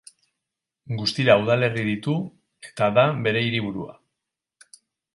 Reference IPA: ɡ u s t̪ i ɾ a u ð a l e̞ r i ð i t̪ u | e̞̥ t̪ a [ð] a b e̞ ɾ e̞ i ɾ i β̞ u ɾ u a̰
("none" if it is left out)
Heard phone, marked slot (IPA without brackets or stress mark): ð